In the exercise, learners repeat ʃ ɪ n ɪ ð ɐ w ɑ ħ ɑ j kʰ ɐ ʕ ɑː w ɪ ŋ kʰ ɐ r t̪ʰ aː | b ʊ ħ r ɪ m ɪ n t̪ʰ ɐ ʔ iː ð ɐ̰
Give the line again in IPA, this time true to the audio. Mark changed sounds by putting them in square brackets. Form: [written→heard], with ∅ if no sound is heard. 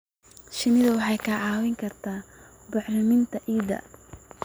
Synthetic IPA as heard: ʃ ɪ n ɪ ð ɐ w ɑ ħ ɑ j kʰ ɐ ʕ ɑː w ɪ ŋ kʰ ɐ r t̪ʰ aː | b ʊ ħ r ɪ m ɪ n t̪ʰ ɐ ʔ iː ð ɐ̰